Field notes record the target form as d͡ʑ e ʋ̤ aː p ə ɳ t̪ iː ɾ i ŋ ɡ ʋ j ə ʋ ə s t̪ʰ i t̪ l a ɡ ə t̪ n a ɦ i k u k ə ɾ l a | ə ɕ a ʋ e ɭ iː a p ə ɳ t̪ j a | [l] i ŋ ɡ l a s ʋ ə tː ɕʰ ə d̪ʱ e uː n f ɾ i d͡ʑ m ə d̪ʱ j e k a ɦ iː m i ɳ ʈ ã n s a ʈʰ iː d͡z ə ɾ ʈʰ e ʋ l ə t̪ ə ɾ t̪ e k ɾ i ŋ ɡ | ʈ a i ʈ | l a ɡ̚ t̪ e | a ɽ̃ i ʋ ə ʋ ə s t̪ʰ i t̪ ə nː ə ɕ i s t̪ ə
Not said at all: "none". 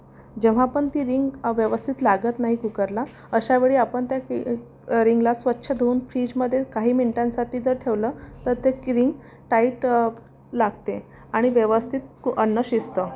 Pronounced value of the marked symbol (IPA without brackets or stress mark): ɾ